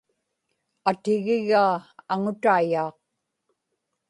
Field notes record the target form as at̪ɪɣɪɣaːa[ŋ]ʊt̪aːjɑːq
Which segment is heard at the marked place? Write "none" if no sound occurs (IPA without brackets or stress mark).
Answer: ŋ